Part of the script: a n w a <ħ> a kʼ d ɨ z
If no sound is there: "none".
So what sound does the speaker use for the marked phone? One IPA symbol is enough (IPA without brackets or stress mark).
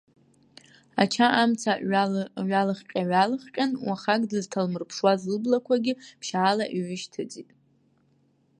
χ